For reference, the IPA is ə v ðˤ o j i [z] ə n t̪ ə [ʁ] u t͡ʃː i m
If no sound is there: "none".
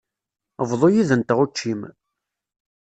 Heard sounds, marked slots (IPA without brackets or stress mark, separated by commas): ð, ʁ